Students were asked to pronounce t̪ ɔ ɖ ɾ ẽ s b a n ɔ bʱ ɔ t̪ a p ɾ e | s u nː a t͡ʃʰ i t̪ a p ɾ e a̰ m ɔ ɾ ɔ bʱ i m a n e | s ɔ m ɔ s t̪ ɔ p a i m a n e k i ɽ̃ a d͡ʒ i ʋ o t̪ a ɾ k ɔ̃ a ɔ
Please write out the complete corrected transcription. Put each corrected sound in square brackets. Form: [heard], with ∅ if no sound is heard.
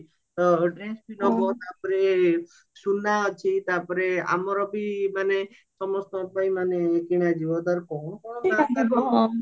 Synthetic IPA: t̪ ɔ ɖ ɾ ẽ s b [i] n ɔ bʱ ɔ t̪ a p ɾ e | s u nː a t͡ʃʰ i t̪ a p ɾ e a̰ m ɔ ɾ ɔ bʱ i m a n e | s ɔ m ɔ s t̪ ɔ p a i m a n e k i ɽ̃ a d͡ʒ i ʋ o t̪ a ɾ k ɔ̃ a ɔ